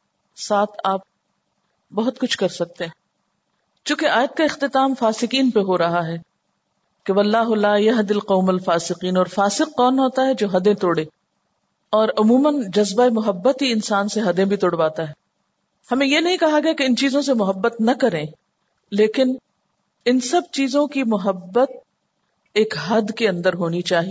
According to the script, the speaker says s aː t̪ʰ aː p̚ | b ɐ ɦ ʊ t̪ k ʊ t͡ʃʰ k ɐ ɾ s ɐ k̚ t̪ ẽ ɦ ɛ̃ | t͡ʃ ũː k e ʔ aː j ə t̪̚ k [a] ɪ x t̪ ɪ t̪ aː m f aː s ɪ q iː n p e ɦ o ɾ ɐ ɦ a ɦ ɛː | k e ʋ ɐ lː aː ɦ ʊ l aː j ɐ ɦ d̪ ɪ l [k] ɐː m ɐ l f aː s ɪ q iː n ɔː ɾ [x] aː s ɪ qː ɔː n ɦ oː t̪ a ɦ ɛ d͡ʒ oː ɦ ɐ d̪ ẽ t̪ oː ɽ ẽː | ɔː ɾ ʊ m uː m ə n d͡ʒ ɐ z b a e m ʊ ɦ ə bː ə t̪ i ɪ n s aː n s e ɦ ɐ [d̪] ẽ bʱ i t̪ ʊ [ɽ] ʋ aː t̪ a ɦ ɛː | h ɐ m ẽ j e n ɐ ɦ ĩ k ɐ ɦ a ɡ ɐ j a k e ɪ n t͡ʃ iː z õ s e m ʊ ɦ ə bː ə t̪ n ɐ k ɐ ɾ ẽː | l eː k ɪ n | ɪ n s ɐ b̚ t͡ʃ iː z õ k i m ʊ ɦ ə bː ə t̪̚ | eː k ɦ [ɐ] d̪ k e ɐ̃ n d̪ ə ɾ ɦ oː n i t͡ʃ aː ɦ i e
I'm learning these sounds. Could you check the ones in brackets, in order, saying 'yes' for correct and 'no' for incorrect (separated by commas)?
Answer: yes, no, no, yes, yes, yes